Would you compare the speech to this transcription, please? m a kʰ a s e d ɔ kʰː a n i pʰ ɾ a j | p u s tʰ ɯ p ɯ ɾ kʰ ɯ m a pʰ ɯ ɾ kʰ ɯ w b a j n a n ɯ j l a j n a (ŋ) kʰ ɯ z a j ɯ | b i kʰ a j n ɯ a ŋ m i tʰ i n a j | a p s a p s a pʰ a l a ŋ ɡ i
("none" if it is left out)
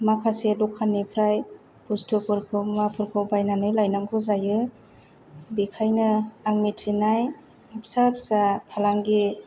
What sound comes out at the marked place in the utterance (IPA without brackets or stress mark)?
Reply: ŋ